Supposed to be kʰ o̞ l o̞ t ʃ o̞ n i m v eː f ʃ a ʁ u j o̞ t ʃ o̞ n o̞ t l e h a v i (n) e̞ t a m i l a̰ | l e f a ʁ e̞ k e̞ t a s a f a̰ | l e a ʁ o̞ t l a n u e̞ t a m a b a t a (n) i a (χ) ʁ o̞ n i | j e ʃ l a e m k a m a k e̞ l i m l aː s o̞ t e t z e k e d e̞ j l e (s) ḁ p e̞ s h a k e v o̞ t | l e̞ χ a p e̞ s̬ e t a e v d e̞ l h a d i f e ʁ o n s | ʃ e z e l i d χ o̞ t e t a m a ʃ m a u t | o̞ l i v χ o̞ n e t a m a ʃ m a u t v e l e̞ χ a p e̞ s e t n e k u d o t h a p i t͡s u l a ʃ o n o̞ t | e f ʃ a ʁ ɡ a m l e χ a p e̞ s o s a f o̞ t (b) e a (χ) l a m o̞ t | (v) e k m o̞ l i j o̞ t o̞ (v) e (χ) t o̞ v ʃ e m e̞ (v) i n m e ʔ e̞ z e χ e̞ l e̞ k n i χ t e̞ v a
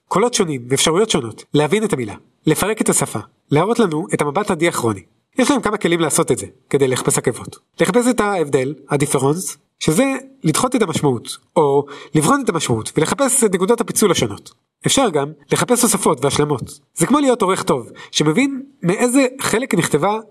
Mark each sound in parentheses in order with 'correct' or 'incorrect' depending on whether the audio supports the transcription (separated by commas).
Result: correct, incorrect, correct, incorrect, incorrect, incorrect, incorrect, incorrect, correct, correct